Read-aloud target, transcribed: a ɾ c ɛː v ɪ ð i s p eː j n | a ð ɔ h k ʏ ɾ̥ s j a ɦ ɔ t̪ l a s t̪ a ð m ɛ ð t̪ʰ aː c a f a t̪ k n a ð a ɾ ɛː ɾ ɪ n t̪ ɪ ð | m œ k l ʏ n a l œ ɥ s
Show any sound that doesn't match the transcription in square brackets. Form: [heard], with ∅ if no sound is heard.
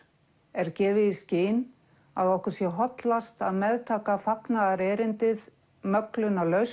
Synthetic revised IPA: [ɛ] ɾ c ɛː v ɪ ð i s [c] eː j n | a ð ɔ h k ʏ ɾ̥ s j [ɛ] ɦ ɔ t̪ l a s t̪ a ð m ɛ ð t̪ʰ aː [k] a f a [∅] k n a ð a ɾ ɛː ɾ ɪ n t̪ ɪ ð | m œ k l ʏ n a l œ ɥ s